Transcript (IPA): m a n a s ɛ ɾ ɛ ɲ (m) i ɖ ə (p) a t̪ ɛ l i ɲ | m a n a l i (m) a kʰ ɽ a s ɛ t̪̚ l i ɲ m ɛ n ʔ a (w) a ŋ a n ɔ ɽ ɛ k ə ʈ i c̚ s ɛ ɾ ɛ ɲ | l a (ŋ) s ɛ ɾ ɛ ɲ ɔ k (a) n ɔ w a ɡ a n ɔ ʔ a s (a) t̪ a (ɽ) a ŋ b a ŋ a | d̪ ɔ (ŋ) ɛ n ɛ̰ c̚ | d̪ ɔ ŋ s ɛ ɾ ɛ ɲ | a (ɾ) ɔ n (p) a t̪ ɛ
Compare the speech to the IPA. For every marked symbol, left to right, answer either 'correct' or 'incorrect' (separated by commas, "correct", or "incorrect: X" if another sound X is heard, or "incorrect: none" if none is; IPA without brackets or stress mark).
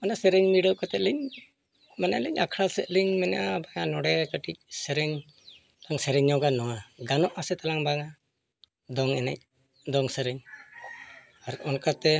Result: correct, incorrect: k, incorrect: ɲ, incorrect: b, correct, correct, incorrect: ɛ, incorrect: l, correct, correct, incorrect: k